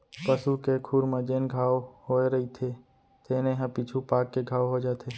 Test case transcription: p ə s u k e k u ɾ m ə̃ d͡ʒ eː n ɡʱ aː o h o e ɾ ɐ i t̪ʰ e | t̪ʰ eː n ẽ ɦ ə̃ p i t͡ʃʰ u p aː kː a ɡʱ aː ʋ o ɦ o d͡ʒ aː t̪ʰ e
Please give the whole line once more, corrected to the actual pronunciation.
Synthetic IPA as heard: p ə s u k e kʰ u ɾ m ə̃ d͡ʒ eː n ɡʱ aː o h o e ɾ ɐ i t̪ʰ e | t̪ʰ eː n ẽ ɦ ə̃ p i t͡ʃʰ u p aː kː e ɡʱ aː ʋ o ɦ o d͡ʒ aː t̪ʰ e